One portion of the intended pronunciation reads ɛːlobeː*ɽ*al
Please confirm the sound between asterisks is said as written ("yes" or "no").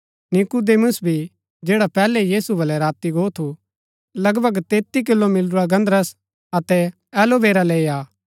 no